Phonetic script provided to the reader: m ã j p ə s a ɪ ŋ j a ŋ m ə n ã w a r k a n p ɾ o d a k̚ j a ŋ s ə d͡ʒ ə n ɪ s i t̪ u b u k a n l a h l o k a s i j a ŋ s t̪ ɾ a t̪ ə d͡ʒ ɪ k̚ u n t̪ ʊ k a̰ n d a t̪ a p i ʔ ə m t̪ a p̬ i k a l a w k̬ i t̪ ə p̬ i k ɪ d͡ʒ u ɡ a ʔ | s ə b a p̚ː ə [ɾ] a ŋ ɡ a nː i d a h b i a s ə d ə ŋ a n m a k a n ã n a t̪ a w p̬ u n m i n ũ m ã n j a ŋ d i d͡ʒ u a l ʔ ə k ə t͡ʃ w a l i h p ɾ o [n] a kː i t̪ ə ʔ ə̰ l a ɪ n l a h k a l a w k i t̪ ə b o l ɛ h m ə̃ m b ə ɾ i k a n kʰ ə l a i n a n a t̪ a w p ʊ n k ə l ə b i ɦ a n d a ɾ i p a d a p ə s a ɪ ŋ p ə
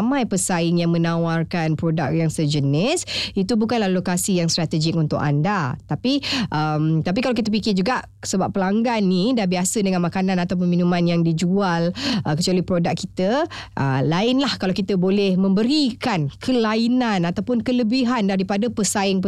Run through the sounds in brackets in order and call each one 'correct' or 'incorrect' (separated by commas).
incorrect, incorrect